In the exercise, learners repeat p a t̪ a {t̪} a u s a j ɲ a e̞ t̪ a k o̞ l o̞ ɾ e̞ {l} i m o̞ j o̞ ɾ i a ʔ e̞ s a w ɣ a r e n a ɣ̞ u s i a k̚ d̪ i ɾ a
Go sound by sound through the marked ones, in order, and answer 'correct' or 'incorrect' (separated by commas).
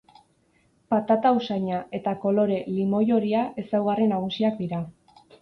correct, correct